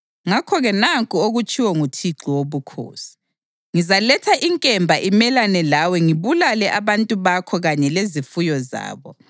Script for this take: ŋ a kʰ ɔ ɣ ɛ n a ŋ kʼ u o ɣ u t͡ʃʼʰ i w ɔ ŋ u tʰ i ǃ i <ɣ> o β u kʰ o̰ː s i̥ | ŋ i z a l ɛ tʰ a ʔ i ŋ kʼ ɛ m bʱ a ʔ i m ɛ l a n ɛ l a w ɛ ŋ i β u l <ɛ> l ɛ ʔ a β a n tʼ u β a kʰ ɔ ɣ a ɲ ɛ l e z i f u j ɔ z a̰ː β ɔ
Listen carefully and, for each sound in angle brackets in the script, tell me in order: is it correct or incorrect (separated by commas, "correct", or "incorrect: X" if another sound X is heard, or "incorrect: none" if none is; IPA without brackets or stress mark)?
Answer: incorrect: w, incorrect: a